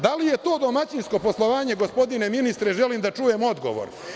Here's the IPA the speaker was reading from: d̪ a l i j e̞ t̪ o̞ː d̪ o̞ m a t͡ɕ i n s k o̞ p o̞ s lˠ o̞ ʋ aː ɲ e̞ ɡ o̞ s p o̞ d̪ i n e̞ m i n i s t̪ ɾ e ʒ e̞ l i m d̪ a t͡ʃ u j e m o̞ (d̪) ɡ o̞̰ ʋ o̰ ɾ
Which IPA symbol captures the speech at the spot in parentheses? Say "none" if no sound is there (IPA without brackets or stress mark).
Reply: d̪